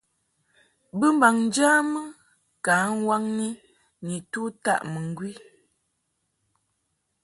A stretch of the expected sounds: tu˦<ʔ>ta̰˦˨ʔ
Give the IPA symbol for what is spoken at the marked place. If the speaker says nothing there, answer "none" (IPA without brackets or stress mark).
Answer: none